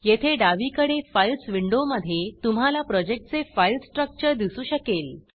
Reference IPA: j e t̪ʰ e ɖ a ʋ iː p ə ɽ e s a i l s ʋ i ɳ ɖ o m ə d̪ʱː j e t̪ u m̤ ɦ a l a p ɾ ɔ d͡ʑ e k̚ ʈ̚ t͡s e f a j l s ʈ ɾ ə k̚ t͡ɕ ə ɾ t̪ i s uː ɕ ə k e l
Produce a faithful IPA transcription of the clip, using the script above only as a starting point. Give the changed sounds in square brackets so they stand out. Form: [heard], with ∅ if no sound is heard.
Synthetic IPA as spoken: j e t̪ʰ e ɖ a ʋ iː [k] ə ɽ e [f] a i l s ʋ i ɳ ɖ o m ə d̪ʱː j e t̪ u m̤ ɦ a l a p ɾ ɔ d͡ʑ e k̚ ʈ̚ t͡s e f a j l s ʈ ɾ ə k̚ t͡ɕ ə ɾ [d̪] i s uː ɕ ə k e l